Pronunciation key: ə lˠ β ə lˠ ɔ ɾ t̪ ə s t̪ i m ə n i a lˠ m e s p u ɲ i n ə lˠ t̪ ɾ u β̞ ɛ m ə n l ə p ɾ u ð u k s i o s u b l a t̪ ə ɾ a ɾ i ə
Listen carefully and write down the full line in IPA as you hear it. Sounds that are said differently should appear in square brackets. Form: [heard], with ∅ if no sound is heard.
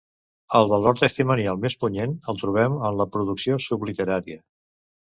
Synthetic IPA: ə lˠ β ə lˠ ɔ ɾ t̪ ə s t̪ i m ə n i a lˠ m e s p u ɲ [e] n ə lˠ t̪ ɾ u β̞ ɛ m ə n l ə p ɾ u ð u k s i o s u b l [i] t̪ ə ɾ a ɾ i ə